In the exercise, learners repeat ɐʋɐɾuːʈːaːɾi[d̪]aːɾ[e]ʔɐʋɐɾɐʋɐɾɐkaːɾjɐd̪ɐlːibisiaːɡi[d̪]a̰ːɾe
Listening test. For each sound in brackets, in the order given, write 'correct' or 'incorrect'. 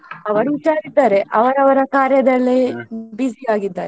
incorrect: d̪ː, correct, incorrect: d̪ː

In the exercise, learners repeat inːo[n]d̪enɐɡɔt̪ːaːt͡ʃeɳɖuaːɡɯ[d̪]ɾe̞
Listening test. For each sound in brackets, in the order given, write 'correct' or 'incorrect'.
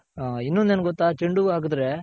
correct, correct

